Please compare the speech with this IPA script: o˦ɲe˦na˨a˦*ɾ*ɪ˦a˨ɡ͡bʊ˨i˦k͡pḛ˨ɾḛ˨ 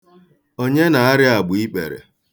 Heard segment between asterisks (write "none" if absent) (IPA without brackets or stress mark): ɾ